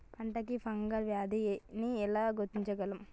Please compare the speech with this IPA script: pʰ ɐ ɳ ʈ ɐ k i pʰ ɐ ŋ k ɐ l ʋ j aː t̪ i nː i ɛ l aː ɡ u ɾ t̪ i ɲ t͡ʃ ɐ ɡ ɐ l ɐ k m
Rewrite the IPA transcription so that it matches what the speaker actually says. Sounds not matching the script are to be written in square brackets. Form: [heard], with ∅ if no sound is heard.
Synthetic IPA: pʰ ɐ ɳ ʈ ɐ k i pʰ ɐ ŋ [ɡ] ɐ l ʋ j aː [d̪] i [n] i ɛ l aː ɡ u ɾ t̪ i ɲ t͡ʃ ɐ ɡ ɐ l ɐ [∅] m

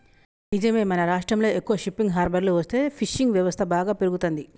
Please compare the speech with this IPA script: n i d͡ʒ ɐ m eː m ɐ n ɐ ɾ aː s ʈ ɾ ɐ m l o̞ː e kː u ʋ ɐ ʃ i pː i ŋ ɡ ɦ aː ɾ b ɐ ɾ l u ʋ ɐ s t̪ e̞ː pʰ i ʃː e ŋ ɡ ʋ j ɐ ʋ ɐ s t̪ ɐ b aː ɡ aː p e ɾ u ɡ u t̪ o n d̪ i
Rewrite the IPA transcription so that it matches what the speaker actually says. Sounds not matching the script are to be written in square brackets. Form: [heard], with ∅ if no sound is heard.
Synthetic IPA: n i d͡ʒ ɐ m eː m ɐ n ɐ ɾ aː [ʂ] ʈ ɾ ɐ m l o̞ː e kː u ʋ ɐ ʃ i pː i ŋ ɡ ɦ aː ɾ b ɐ ɾ l u ʋ ɐ s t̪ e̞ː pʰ i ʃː [i] ŋ ɡ ʋ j ɐ ʋ ɐ s [t̪ʰ] ɐ b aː ɡ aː p e ɾ u ɡ u t̪ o n d̪ i

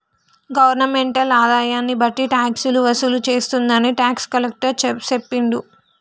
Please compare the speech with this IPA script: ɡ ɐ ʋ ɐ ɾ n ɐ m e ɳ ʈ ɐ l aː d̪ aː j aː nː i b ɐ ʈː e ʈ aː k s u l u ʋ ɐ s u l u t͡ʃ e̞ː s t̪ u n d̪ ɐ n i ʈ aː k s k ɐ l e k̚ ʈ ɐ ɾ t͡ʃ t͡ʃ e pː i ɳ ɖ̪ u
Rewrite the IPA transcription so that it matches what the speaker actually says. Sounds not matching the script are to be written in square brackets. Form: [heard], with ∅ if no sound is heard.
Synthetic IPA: ɡ ɐ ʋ ɐ ɾ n ɐ m e ɳ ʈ ɐ l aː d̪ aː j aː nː i b ɐ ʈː [i] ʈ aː k s u l u ʋ ɐ s u l u t͡ʃ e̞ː s t̪ u n d̪ ɐ n i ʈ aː k s k ɐ l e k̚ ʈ ɐ ɾ t͡ʃ t͡ʃ e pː i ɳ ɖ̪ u

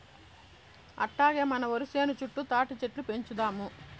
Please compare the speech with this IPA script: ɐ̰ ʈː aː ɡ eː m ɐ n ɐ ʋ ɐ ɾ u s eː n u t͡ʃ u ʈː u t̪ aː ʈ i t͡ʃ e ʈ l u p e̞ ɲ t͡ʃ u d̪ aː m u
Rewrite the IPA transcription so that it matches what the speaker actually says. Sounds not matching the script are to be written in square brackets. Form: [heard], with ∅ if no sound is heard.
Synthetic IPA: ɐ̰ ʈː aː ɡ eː m ɐ n ɐ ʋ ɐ ɾ u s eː n u t͡ʃ u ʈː u t̪ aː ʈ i t͡ʃ e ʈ l u p e̞ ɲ t͡ʃ u d̪ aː m u

